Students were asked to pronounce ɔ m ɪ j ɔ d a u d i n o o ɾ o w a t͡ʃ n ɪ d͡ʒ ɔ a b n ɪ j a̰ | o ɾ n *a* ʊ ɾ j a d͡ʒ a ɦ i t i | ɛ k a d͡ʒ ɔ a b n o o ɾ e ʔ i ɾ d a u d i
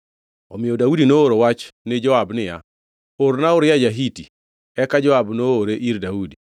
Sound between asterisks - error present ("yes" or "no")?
no